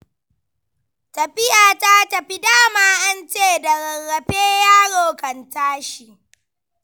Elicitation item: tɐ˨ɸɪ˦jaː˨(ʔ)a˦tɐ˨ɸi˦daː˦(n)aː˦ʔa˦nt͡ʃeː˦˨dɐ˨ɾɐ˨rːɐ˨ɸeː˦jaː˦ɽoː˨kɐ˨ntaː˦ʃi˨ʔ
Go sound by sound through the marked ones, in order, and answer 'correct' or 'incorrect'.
incorrect: t, incorrect: m

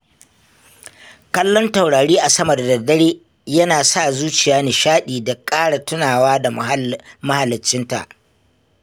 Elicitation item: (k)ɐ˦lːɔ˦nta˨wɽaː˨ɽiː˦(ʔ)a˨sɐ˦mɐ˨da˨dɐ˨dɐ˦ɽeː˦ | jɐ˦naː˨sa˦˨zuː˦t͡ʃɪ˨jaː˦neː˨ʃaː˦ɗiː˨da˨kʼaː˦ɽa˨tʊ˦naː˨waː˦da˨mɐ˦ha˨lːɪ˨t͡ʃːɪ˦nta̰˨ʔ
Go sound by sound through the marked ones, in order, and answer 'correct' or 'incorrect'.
correct, correct

